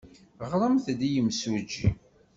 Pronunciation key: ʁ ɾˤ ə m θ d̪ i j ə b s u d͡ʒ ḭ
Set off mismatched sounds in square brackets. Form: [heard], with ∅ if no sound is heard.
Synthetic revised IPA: ʁ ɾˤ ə m θ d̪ i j ə [m] s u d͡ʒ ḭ